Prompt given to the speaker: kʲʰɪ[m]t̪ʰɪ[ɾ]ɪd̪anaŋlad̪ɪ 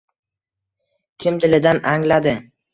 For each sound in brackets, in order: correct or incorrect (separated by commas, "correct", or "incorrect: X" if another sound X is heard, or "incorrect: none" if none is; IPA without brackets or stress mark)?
correct, incorrect: l